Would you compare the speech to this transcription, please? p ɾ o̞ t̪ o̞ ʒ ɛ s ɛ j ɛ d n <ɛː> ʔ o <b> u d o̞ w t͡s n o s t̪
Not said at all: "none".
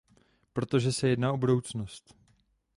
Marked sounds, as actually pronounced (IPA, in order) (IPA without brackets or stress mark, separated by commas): aː, b